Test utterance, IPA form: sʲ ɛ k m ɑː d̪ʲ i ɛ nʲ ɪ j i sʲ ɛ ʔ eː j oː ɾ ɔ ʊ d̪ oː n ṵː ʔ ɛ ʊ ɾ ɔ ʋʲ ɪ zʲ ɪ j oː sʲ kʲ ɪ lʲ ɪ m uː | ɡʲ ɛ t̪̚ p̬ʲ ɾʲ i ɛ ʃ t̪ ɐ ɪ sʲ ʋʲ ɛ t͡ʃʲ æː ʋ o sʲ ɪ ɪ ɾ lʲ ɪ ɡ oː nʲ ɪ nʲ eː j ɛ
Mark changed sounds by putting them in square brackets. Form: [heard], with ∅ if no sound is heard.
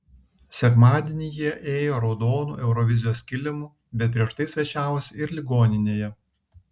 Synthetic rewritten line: sʲ ɛ k m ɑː d̪ʲ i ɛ nʲ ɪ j i [∅] ɛ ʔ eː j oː ɾ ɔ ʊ d̪ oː n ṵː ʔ ɛ ʊ ɾ ɔ ʋʲ ɪ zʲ ɪ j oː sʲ kʲ ɪ lʲ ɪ m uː | [bʲ] ɛ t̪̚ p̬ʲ ɾʲ i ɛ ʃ t̪ ɐ ɪ sʲ ʋʲ ɛ t͡ʃʲ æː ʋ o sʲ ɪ ɪ ɾ lʲ ɪ ɡ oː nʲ ɪ nʲ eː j ɛ